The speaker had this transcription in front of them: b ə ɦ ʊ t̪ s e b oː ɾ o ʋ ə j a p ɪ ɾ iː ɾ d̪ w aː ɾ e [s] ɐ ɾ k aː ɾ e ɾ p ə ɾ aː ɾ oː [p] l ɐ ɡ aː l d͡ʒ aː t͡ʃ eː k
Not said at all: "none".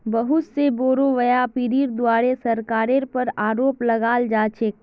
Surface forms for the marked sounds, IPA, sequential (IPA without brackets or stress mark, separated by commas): s, p